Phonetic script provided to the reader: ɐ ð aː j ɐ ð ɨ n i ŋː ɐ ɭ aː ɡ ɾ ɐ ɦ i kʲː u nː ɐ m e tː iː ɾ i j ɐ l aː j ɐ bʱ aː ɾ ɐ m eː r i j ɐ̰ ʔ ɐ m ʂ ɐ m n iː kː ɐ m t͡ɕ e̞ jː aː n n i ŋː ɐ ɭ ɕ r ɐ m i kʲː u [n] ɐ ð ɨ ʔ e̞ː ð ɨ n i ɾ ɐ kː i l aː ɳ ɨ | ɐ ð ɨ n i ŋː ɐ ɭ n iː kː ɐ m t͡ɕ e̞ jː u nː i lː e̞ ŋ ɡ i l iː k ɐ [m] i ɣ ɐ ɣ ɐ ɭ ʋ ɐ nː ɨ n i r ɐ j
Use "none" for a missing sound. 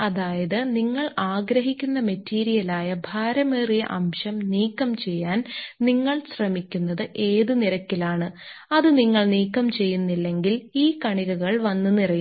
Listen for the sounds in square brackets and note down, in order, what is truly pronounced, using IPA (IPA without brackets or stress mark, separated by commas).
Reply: nː, ɳ